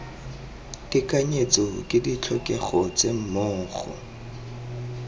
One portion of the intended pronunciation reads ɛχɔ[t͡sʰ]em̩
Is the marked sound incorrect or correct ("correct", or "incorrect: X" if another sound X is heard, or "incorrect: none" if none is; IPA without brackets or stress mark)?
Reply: incorrect: t͡s